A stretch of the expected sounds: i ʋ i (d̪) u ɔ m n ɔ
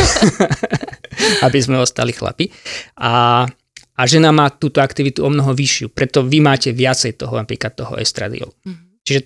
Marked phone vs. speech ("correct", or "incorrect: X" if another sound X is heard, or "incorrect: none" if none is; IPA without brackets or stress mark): incorrect: t̪